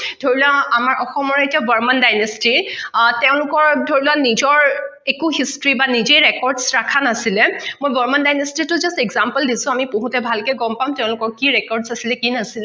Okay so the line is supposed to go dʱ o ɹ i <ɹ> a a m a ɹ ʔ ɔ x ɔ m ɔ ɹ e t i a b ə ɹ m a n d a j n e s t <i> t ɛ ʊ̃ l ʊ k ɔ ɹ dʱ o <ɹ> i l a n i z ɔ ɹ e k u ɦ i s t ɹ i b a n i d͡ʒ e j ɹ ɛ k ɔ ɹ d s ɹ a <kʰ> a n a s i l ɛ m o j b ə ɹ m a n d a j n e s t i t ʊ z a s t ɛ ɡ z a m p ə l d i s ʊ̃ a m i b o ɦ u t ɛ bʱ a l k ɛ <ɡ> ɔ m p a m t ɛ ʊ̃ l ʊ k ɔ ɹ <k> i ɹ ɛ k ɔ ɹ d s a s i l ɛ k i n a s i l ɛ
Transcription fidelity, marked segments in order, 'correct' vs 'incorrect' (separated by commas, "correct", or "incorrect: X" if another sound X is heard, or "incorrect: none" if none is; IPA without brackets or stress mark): incorrect: l, correct, correct, correct, correct, correct